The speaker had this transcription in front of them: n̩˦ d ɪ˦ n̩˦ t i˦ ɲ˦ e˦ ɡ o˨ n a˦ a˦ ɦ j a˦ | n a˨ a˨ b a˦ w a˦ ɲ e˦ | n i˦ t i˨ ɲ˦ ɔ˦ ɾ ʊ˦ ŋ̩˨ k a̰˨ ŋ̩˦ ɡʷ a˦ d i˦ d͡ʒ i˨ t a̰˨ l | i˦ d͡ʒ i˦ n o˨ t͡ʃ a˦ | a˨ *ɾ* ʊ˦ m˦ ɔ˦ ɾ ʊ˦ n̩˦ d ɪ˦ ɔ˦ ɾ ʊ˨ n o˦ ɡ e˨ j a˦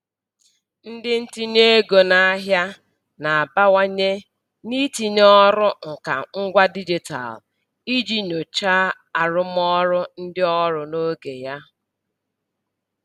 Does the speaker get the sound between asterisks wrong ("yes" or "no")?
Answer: no